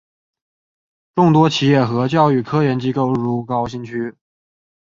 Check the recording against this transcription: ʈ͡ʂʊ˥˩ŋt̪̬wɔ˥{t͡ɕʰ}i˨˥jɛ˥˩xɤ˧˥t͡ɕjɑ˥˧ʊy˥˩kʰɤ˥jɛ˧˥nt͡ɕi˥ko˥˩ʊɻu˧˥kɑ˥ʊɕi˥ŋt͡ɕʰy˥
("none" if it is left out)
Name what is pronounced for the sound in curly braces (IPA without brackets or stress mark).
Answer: t͡ɕʰ